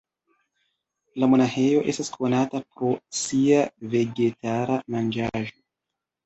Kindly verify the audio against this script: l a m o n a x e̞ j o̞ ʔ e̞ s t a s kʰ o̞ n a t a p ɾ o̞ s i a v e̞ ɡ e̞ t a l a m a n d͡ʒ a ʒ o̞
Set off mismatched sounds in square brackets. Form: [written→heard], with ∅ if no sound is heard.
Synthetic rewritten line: l a m o n a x e̞ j o̞ ʔ e̞ s t a s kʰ o̞ n a t a p ɾ o̞ s i a v e̞ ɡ e̞ t a [l→ɾ] a m a n d͡ʒ a ʒ o̞